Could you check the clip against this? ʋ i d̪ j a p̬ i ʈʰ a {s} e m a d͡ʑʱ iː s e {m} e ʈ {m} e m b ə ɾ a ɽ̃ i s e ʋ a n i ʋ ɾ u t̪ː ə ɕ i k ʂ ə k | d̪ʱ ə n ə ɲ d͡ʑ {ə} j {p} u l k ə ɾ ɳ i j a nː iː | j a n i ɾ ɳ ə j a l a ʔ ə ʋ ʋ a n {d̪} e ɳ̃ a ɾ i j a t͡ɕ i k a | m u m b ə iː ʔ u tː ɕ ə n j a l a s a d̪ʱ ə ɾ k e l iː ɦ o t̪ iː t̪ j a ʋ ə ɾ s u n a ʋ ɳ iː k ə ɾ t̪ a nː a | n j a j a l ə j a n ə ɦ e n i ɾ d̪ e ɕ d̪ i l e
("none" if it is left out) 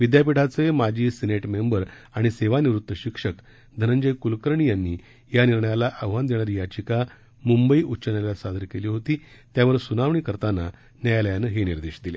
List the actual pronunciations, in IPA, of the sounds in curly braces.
t͡s, n, m, ə, k, d̪

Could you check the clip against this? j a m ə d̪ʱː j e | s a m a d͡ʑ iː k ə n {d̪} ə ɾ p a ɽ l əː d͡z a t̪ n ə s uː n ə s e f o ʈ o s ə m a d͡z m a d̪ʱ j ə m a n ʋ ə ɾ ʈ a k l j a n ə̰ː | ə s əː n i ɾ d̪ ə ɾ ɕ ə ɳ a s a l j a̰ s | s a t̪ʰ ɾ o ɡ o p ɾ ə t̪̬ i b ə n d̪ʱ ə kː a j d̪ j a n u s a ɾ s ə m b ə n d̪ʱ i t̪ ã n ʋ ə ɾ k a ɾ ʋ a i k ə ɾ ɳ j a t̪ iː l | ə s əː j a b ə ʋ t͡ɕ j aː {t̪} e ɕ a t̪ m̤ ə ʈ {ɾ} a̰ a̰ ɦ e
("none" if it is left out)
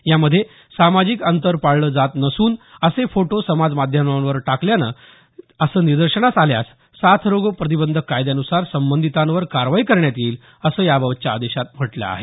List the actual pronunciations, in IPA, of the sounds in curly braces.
t̪, d̪, l

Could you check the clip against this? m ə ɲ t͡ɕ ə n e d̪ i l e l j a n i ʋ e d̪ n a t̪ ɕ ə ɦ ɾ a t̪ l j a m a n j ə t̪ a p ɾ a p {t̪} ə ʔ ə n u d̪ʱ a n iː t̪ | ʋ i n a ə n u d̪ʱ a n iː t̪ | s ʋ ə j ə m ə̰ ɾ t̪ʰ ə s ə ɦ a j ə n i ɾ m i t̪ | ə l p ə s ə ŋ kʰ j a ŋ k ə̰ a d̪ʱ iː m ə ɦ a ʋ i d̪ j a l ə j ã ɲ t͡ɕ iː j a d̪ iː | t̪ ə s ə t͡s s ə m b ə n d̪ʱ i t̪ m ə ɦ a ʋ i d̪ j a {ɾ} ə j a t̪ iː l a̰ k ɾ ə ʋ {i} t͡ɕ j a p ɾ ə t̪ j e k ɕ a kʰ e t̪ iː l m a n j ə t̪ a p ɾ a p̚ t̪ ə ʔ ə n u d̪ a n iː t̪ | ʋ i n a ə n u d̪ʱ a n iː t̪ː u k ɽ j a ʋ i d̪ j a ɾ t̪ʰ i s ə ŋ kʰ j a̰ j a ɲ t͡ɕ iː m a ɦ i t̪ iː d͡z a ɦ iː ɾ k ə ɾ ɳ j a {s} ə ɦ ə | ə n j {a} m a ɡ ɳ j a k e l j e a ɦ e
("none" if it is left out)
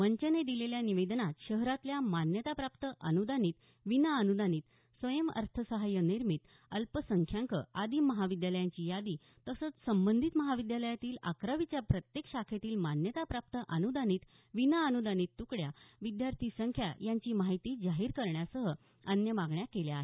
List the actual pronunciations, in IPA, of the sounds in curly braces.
t̪, l, i, s, ə

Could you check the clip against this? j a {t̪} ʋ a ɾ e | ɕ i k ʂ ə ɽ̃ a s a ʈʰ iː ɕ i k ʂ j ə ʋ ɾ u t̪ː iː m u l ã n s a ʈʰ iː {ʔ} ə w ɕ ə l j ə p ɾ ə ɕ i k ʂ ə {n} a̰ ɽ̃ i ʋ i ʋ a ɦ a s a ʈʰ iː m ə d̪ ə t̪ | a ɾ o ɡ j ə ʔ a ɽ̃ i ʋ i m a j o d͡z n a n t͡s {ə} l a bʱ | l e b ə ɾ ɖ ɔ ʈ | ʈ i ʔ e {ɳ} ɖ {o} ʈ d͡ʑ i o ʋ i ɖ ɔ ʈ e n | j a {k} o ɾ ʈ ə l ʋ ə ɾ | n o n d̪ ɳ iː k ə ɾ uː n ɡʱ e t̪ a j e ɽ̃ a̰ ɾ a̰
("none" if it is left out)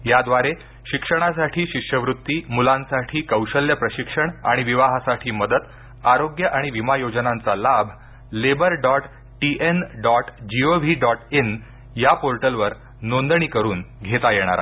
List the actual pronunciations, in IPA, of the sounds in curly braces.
d̪, k, ɳ, a, n, ɔ, p

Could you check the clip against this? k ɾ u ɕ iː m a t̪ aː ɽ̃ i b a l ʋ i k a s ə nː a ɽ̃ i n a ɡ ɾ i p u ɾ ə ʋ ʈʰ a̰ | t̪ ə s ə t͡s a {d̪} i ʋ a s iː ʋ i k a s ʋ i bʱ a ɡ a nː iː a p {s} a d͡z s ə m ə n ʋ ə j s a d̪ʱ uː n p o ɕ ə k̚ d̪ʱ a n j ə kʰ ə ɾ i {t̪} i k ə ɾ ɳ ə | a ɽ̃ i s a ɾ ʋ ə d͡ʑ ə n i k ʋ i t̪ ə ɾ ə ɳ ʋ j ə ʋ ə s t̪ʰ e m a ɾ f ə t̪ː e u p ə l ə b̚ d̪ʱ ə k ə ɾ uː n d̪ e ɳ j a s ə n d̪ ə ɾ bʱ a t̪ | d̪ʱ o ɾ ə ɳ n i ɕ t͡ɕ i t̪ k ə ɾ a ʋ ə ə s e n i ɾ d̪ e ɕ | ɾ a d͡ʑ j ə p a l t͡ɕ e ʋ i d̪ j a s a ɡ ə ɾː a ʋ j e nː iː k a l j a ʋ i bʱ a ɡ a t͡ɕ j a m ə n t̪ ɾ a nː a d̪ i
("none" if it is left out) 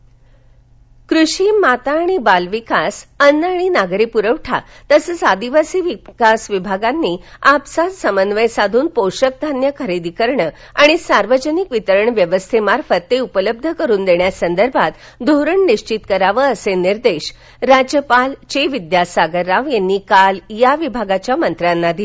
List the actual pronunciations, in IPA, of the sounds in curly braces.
d̪, s, d̪

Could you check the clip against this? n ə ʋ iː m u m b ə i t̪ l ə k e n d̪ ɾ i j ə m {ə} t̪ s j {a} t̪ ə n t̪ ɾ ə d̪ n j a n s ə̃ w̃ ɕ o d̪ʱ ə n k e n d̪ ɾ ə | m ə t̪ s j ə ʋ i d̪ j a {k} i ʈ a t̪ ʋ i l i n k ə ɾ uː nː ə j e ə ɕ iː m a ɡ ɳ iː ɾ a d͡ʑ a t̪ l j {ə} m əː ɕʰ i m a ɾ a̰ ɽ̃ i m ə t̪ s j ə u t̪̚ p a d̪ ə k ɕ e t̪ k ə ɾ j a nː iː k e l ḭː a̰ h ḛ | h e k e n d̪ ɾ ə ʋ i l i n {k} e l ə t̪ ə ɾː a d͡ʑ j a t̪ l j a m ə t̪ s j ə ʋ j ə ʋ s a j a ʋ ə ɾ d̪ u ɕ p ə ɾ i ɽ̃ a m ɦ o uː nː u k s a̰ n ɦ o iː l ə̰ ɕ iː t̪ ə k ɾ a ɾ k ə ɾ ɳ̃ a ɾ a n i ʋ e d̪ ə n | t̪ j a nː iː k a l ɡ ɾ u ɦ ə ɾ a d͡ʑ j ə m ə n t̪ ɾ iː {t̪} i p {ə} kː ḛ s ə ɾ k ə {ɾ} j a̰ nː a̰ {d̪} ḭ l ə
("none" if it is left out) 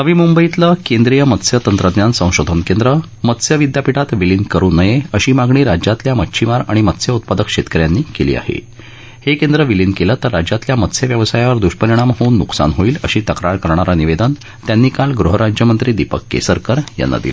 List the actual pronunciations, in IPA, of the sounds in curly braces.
ə, ə, p, a, k, d̪, ə, ɾ, d̪

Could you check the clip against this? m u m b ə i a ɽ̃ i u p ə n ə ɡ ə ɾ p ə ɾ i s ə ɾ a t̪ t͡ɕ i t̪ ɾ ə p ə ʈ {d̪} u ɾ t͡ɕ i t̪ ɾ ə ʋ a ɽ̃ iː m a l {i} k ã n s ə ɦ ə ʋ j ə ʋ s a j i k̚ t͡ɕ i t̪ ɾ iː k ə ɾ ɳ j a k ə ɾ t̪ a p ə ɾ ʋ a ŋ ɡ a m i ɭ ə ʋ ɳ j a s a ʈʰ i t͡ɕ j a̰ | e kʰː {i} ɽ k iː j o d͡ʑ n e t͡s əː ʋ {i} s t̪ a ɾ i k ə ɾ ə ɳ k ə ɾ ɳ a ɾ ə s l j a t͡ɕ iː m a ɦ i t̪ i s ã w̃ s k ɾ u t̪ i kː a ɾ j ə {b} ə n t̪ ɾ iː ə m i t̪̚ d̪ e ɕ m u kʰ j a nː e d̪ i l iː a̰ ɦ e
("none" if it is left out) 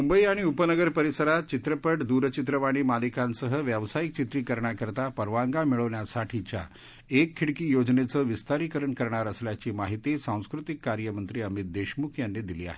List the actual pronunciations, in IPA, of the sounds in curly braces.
d̪, i, i, i, m

